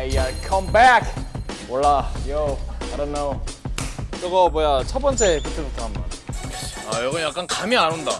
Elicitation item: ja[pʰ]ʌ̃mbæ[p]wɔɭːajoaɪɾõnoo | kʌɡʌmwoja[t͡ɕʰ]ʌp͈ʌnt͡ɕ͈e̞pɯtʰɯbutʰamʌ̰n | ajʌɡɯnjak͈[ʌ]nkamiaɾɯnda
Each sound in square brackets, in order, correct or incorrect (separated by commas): incorrect, incorrect, correct, incorrect